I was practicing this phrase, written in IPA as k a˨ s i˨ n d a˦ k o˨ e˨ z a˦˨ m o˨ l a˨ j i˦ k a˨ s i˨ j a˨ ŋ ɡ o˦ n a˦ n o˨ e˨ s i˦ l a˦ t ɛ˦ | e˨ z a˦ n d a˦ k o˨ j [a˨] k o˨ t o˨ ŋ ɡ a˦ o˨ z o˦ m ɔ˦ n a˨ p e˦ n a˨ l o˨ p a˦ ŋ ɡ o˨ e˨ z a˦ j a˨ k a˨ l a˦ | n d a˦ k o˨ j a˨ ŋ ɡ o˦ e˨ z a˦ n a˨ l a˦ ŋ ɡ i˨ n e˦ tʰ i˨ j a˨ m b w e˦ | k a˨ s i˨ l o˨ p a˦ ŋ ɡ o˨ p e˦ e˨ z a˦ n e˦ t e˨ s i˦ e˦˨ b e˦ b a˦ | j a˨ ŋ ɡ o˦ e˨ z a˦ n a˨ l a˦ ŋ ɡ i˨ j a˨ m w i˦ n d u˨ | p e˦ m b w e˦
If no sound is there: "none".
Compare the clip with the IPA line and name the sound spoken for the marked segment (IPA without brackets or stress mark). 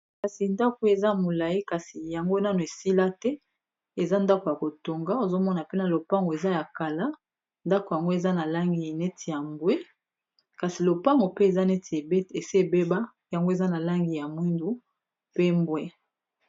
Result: a˨